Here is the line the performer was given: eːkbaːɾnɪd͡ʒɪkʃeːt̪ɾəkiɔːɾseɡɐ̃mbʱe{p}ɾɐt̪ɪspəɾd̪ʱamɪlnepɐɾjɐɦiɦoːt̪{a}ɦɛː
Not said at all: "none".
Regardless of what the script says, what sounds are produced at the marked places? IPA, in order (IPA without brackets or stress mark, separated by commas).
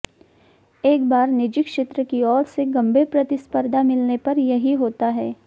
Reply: p, a